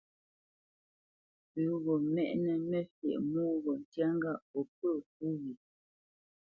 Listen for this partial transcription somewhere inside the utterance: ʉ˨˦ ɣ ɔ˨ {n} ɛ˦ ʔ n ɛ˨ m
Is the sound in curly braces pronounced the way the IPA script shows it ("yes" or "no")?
no